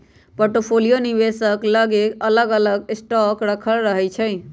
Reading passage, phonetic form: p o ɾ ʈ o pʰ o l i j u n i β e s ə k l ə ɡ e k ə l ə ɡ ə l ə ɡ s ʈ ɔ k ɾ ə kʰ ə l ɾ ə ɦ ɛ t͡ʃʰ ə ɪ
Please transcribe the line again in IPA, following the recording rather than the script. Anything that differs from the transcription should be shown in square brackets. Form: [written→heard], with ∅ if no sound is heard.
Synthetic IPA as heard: p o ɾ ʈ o pʰ o l i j [u→o] n i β e s ə k l ə ɡ e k ə l ə ɡ ə l ə ɡ s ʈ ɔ k ɾ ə kʰ ə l ɾ ə ɦ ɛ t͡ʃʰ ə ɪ